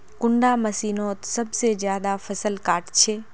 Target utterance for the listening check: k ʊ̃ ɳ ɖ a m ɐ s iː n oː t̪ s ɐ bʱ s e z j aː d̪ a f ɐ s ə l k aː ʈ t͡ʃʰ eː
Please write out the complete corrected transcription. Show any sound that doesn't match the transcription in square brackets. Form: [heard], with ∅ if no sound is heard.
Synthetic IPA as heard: k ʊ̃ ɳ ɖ a m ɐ s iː n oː t̪ s ɐ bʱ s e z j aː d̪ a f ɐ s ə l k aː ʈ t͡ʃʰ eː